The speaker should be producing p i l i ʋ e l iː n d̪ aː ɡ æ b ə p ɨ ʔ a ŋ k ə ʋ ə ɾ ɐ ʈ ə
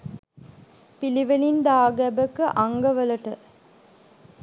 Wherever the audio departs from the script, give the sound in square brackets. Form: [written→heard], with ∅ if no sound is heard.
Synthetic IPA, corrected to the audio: p i l i ʋ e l [iː→i] n d̪ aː ɡ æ b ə [p→k] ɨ ʔ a ŋ [k→ɡ] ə ʋ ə [ɾ→l] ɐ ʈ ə